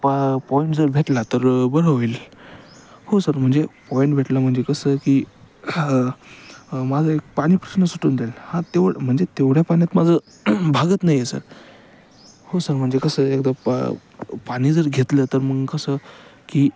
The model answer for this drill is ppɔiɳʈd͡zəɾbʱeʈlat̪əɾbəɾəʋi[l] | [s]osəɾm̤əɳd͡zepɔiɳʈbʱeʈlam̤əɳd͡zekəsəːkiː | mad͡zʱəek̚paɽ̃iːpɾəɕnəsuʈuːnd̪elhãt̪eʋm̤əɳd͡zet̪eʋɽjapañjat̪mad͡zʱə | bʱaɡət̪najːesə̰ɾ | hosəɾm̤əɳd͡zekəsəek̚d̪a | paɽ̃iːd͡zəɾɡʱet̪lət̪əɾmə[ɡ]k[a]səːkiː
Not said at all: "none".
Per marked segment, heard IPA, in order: l, h, ɡ, ə

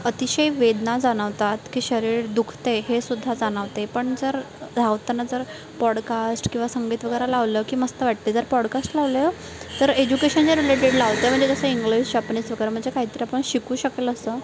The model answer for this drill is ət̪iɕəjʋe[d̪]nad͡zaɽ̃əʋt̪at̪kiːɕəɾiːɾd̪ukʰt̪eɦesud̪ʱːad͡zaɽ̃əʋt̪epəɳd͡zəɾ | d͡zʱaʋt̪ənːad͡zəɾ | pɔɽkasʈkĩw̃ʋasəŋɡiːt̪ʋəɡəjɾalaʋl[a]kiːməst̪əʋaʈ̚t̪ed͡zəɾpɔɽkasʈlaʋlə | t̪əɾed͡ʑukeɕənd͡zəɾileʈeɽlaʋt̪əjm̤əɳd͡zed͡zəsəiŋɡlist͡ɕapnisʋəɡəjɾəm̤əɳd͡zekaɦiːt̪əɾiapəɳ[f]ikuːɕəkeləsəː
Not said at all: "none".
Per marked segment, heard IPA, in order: d̪, ə, ɕ

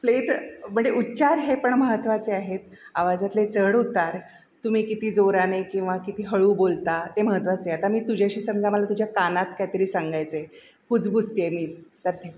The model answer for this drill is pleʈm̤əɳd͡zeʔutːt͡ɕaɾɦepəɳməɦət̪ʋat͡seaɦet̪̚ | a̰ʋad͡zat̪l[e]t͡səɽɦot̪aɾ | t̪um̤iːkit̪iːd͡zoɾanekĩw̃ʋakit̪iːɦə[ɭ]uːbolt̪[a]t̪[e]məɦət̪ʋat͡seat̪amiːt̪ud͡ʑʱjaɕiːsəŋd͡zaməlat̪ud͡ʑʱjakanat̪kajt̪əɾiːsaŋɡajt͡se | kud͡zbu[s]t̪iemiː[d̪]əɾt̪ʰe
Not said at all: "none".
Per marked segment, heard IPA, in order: e, ɭ, a, e, s, t̪

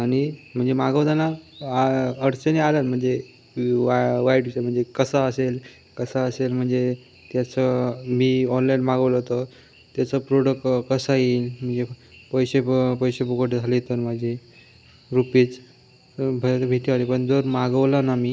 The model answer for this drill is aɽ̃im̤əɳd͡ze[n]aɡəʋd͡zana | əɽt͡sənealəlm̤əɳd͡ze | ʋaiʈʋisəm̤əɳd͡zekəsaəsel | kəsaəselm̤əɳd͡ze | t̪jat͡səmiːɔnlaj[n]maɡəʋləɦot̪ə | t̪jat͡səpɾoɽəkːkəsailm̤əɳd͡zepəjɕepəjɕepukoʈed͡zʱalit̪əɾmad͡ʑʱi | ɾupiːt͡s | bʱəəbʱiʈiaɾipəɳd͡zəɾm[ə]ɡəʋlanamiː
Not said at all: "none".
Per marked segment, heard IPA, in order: m, n, a

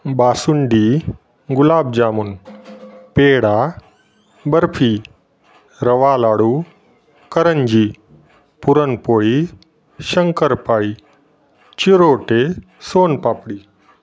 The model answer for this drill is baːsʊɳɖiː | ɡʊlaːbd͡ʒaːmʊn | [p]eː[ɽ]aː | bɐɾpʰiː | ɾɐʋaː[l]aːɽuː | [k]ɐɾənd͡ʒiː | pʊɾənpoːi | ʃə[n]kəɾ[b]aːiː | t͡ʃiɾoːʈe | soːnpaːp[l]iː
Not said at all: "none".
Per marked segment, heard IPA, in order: p, ɽ, l, k, ŋ, p, ɽ

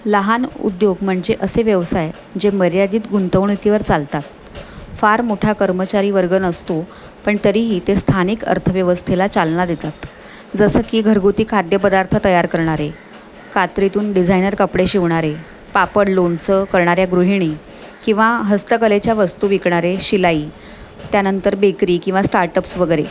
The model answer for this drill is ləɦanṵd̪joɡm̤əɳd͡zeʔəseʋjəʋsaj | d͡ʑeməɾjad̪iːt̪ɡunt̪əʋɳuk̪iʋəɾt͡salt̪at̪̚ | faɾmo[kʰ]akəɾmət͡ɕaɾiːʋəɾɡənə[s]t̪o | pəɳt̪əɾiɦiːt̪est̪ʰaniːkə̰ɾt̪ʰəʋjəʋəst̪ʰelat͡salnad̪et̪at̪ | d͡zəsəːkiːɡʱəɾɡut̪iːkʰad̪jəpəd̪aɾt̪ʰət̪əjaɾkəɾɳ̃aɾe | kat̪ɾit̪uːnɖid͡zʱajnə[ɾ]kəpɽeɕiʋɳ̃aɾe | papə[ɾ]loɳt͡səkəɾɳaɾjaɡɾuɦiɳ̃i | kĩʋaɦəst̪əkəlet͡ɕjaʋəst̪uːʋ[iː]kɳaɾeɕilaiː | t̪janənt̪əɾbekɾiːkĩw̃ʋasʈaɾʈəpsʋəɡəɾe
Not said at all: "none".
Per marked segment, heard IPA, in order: ʈʰ, s, ɾ, ɽ, i

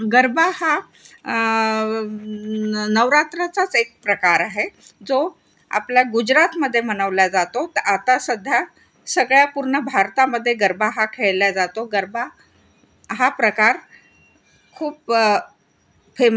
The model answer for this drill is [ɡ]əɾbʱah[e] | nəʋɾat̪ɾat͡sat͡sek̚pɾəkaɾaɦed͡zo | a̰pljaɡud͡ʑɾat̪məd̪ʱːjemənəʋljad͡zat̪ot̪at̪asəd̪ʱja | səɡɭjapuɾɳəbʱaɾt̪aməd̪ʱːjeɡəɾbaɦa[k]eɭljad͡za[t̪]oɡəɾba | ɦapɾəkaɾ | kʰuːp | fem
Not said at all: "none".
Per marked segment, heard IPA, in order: ɡ, a, kʰ, t̪

